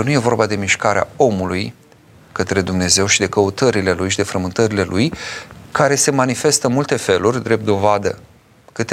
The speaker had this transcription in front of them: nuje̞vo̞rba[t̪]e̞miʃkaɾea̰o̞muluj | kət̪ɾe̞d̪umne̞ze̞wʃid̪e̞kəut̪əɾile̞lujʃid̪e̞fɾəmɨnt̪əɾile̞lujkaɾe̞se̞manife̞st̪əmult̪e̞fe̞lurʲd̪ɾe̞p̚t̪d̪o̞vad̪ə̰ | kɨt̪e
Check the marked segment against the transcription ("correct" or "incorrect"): incorrect